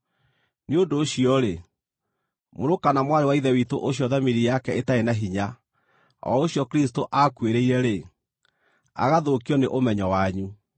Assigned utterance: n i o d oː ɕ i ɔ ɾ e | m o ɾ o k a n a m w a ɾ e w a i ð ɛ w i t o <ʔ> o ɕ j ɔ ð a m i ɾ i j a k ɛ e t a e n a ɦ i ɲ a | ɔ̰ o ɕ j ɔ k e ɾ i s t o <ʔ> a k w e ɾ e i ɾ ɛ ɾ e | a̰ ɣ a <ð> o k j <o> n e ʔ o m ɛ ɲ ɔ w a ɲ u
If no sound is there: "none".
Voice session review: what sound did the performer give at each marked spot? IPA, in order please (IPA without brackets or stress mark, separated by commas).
ʔ, ʔ, ð, ɔ